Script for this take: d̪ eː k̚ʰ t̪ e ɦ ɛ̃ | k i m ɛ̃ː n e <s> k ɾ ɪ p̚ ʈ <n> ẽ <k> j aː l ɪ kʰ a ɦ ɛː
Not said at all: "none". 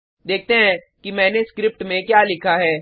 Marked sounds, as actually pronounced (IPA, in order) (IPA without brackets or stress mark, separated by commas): s, m, k